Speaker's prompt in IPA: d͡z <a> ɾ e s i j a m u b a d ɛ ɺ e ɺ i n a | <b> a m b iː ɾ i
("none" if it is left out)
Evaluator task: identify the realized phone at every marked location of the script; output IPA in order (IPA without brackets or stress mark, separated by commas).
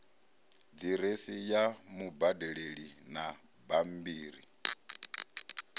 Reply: i, b